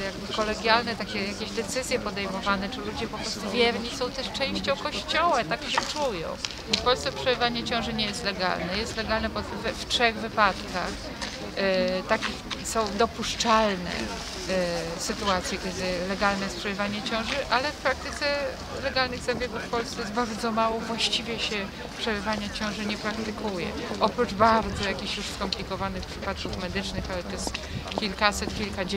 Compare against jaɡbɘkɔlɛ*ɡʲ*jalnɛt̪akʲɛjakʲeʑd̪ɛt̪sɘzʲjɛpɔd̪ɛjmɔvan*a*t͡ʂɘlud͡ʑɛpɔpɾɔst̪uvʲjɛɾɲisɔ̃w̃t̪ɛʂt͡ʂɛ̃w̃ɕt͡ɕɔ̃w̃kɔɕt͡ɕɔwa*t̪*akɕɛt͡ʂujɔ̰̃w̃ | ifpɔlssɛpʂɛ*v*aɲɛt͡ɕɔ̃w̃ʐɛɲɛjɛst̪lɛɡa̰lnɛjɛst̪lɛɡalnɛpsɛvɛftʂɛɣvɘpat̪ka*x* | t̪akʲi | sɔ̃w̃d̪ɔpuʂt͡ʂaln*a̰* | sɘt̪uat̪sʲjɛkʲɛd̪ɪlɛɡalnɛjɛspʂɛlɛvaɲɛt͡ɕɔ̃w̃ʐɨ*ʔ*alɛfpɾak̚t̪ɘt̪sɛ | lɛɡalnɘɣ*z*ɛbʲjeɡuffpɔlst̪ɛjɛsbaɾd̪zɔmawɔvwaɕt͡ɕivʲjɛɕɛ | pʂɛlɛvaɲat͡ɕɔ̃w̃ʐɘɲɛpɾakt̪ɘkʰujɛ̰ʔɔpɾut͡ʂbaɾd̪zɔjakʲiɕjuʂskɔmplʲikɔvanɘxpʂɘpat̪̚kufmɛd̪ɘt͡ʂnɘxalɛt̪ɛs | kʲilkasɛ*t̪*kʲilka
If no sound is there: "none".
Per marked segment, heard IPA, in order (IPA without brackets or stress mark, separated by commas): ɡʲ, ɛ, t̪, v, x, ɛ̰, ʔ, z, t̪